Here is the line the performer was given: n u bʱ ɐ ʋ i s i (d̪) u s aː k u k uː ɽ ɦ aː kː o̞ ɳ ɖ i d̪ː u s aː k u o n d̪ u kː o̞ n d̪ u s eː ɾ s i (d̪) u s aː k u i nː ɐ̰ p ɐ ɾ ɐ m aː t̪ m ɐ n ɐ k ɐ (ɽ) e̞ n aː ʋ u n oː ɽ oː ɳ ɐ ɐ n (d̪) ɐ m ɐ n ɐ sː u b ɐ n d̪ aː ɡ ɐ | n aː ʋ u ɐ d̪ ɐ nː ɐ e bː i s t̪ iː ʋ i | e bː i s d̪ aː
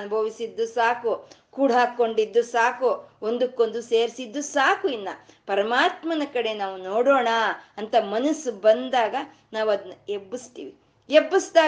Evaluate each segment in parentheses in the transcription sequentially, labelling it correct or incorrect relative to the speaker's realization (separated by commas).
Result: incorrect, incorrect, correct, incorrect